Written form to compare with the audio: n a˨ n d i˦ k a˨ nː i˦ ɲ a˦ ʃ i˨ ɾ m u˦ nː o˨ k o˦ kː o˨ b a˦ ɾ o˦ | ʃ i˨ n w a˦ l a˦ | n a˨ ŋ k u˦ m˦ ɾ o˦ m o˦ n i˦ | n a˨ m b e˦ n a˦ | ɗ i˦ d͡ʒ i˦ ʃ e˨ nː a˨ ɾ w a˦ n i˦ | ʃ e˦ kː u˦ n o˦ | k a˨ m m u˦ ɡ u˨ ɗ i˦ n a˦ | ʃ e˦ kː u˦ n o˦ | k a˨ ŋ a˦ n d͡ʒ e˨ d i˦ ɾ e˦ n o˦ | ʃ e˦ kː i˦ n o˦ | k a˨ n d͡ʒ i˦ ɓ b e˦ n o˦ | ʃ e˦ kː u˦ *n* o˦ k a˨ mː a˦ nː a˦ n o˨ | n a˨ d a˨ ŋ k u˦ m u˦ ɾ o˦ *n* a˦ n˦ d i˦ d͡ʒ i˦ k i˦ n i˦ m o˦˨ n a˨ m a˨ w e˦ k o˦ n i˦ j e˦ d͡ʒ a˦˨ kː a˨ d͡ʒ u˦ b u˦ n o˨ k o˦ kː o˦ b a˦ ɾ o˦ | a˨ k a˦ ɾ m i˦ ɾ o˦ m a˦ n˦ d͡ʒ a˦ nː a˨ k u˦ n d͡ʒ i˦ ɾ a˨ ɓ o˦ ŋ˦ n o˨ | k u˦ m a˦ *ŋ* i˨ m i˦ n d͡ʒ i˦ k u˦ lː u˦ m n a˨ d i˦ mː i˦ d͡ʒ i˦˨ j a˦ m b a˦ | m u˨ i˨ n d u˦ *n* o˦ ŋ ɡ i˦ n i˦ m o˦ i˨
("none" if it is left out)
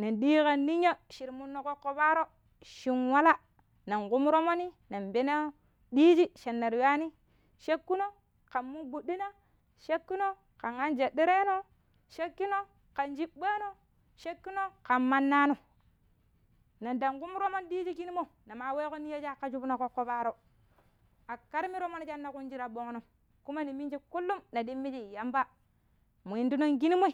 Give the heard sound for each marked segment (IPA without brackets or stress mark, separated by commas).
n, m, n, n